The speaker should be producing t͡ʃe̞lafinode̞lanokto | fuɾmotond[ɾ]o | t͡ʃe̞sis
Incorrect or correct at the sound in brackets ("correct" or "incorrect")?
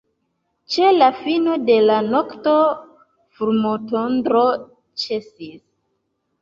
correct